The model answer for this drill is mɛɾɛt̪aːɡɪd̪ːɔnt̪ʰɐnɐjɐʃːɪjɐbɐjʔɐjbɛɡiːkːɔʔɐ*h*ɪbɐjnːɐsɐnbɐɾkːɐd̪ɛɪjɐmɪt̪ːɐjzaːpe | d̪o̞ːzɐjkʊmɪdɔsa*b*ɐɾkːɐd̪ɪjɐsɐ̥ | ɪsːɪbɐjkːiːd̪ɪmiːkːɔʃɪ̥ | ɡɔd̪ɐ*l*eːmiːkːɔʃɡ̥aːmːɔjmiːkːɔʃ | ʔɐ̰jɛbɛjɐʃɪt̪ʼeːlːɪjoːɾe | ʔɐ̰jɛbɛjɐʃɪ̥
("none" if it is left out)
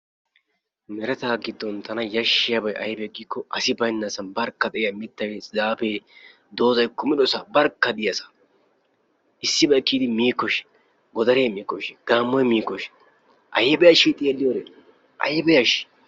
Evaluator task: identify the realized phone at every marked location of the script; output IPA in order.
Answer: s, b, ɾ

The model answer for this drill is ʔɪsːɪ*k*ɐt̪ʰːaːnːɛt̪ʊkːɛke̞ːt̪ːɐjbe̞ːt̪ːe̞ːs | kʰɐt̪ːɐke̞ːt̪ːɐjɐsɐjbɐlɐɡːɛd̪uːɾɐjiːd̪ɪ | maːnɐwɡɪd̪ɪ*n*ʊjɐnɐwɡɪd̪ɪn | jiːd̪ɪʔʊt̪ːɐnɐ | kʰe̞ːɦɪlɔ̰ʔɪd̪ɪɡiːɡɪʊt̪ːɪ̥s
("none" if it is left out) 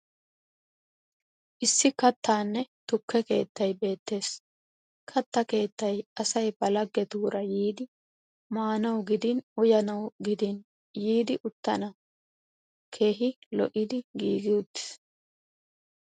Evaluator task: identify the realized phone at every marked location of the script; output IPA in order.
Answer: k, n

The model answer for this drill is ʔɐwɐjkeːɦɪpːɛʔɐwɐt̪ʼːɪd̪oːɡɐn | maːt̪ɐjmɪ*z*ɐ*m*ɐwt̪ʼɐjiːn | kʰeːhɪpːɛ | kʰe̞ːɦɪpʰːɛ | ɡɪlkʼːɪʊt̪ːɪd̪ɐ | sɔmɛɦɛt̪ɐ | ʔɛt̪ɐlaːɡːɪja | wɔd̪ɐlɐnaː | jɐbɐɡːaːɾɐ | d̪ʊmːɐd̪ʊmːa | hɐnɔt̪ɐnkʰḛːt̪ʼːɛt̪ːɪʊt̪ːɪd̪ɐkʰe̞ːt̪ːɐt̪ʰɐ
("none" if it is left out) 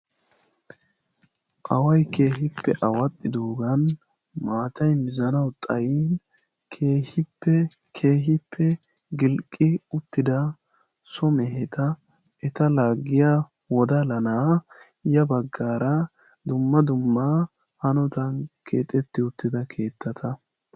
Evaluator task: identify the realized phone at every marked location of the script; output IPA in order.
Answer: z, n

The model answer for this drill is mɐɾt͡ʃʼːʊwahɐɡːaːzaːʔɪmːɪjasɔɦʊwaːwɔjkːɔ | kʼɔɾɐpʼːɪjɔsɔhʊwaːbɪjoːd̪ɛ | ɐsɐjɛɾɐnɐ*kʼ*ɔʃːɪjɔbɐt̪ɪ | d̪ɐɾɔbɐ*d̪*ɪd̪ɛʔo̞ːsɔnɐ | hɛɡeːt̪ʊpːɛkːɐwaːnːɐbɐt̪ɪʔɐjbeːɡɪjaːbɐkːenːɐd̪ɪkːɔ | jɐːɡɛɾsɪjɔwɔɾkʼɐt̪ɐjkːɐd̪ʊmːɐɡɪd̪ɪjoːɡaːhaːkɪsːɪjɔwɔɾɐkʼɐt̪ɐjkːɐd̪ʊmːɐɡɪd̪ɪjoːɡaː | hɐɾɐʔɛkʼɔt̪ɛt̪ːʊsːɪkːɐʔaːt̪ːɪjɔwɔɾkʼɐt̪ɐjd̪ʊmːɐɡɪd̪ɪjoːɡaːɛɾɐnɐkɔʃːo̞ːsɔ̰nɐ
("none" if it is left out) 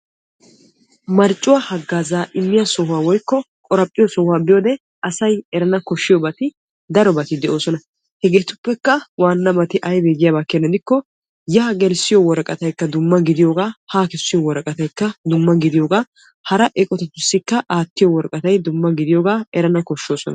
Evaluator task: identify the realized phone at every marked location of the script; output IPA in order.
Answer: k, t̪

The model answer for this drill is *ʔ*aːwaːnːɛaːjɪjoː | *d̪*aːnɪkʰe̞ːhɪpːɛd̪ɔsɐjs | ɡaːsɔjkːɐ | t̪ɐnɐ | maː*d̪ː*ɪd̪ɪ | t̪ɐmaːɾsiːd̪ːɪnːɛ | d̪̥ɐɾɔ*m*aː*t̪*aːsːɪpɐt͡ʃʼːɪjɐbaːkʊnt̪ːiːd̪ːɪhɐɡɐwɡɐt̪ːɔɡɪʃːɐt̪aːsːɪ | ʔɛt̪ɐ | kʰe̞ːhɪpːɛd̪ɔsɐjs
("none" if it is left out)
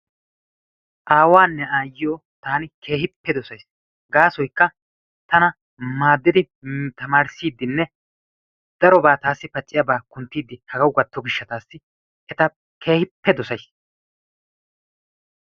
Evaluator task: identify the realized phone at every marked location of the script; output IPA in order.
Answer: ʔ, t̪, d̪ː, b, t̪

